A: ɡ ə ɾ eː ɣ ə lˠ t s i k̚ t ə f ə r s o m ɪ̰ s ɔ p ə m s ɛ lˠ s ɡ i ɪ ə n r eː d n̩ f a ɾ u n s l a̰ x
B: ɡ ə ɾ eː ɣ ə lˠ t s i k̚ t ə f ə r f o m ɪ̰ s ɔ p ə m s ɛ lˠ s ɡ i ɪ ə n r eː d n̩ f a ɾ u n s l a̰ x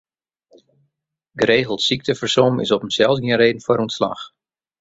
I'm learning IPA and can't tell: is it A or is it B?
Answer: A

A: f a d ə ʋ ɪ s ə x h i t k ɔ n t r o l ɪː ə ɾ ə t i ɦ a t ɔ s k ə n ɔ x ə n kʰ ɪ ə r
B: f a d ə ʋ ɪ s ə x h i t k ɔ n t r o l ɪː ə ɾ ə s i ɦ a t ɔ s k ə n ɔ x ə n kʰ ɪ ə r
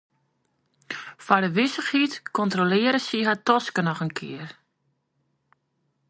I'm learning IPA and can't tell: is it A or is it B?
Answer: B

